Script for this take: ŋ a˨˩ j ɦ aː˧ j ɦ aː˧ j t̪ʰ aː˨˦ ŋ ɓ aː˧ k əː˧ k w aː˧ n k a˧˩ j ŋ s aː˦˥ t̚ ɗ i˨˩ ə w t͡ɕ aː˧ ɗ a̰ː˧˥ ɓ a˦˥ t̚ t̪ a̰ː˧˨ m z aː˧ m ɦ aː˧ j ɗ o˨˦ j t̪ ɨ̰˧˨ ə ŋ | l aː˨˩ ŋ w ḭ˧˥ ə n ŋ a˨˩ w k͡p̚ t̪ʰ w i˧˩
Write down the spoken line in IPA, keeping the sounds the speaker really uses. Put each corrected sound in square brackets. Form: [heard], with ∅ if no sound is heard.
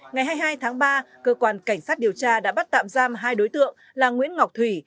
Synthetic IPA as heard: ŋ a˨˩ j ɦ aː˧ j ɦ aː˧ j t̪ʰ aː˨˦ ŋ ɓ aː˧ k əː˧ k w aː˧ n k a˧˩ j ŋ s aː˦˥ t̚ ɗ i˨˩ ə w t͡ɕ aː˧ ɗ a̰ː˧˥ ɓ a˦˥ t̚ t̪ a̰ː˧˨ m z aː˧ m ɦ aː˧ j ɗ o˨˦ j t̪ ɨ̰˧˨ ə ŋ | l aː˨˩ ŋ w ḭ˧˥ ə n ŋ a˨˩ w k͡p̚ t̪ʰ w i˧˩